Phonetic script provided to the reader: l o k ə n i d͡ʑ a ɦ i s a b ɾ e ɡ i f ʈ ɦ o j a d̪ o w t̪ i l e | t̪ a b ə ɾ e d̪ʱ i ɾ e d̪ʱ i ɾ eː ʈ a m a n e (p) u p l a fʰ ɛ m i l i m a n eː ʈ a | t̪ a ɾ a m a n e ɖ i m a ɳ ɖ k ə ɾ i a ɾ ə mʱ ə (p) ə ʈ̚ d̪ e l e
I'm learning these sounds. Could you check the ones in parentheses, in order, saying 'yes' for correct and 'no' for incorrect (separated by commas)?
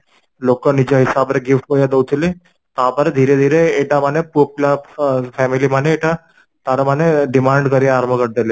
yes, no